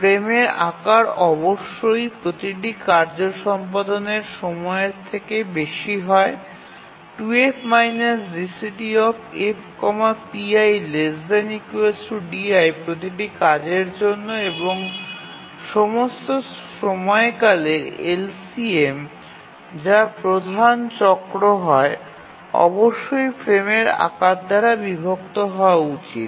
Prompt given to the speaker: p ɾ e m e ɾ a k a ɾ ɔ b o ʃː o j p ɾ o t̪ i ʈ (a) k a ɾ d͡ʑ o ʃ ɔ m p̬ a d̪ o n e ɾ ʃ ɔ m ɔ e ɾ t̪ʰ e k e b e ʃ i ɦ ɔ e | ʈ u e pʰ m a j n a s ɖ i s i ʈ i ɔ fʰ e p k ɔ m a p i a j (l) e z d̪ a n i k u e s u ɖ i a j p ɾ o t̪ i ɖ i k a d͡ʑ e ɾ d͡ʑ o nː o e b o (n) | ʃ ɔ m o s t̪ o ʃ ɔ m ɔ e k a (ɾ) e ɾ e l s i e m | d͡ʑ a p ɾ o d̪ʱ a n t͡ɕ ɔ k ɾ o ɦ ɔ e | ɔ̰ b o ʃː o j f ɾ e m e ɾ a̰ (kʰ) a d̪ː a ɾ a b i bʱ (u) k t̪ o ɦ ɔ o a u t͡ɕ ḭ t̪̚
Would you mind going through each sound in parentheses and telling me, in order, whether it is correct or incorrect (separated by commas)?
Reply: incorrect, correct, incorrect, incorrect, incorrect, incorrect